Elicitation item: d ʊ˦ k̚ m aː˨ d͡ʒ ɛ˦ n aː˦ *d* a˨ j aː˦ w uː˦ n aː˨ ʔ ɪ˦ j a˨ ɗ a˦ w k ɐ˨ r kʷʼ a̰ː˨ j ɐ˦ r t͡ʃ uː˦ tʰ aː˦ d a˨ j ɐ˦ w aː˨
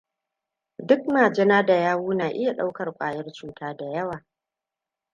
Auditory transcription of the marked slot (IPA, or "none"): d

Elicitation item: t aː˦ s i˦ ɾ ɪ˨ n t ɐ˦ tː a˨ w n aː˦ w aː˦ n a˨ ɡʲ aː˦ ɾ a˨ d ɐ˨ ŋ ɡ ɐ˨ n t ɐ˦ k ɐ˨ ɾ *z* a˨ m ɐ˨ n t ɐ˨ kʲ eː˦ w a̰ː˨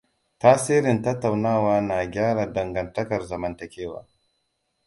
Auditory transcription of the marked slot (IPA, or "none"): z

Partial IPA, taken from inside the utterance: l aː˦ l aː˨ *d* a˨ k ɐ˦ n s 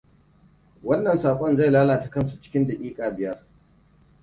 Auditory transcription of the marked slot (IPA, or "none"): t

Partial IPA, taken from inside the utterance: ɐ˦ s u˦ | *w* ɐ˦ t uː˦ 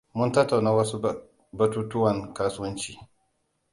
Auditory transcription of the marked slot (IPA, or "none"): b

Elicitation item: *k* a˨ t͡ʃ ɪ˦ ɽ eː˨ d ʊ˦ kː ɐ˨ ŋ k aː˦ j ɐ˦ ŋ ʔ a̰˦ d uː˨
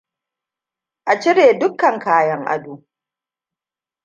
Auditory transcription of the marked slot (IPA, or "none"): ʔ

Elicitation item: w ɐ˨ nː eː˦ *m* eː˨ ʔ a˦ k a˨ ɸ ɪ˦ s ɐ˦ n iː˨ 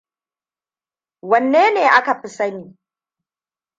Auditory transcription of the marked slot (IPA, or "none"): n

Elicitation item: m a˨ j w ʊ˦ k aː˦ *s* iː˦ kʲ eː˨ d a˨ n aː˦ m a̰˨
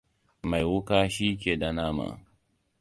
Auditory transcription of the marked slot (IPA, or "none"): ʃ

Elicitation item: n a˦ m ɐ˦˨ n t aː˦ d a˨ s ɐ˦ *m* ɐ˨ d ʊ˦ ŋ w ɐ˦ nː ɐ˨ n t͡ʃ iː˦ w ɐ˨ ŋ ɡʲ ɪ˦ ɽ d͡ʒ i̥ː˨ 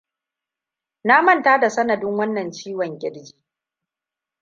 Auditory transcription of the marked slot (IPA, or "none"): n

